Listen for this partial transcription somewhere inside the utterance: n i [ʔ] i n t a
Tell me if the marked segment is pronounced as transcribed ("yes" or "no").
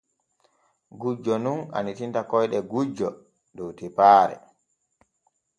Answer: no